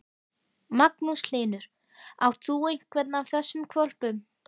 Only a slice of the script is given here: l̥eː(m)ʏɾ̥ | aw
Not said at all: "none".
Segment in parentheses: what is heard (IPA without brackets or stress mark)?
n